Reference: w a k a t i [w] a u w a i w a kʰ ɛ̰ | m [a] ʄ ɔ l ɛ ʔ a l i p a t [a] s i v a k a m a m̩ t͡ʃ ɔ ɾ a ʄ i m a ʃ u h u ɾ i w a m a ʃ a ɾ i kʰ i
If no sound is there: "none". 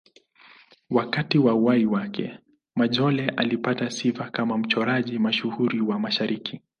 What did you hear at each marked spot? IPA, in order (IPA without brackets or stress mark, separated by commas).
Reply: w, a, a